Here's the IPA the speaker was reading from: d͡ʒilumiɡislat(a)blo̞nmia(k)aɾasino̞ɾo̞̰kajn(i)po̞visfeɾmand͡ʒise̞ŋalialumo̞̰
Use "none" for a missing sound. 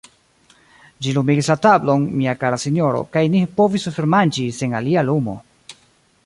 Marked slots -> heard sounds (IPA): a, k, i

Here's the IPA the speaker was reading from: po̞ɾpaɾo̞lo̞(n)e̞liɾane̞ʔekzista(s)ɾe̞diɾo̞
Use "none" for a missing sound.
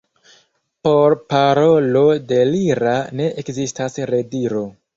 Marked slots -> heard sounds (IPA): d, s

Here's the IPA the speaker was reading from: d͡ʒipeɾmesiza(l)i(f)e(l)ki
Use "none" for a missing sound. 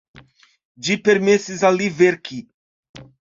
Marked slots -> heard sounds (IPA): l, v, ɾ

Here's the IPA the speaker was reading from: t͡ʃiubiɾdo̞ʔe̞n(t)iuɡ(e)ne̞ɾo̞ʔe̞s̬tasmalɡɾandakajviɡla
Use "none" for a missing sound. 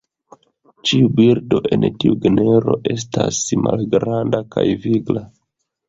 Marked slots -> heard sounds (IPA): t, e

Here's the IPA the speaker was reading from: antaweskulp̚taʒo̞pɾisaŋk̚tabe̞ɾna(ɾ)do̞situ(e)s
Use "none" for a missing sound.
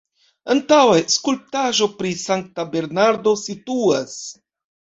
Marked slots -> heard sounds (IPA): ɾ, a

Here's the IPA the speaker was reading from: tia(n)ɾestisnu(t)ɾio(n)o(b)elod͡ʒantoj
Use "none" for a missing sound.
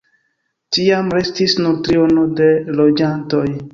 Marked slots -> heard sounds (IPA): m, t, n, d

